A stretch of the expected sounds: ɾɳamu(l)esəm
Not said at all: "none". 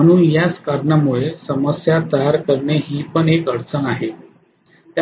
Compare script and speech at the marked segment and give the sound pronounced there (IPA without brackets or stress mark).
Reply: ɭ